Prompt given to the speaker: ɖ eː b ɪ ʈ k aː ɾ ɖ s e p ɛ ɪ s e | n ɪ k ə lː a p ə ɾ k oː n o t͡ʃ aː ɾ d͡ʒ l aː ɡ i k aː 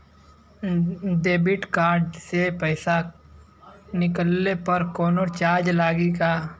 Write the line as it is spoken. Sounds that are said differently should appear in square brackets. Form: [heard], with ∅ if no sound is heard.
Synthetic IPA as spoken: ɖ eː b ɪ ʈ k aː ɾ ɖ s e p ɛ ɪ s [a] | n ɪ k ə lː [e] p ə ɾ k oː n o t͡ʃ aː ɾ d͡ʒ l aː ɡ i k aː